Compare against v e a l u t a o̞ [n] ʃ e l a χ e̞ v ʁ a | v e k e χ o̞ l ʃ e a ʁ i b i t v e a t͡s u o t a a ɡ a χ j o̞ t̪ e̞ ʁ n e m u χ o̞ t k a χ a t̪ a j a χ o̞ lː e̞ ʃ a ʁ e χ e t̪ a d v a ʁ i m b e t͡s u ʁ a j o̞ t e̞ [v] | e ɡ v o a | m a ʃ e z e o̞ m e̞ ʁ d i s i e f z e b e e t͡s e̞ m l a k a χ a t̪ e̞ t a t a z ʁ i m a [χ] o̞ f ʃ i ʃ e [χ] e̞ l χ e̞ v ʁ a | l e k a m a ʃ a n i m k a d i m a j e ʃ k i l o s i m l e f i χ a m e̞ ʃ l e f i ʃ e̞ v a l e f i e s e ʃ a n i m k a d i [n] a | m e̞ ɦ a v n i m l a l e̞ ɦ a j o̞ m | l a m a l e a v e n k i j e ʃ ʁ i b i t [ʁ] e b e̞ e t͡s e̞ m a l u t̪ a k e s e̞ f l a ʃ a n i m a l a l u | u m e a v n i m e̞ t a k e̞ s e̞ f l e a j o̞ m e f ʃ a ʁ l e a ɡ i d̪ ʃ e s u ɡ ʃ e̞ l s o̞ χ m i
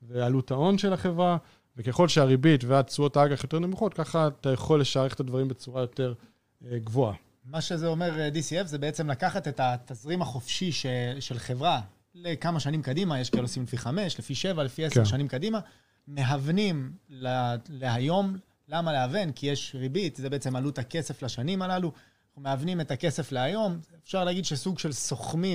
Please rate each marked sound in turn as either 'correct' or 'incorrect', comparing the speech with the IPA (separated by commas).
correct, incorrect, correct, incorrect, incorrect, incorrect